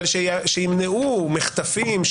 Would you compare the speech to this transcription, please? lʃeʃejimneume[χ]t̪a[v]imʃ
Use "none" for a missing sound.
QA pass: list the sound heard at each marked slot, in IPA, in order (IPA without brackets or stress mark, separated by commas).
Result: χ, f